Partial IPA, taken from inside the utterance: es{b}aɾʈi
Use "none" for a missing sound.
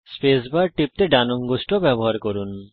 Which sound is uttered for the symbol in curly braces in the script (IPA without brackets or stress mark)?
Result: b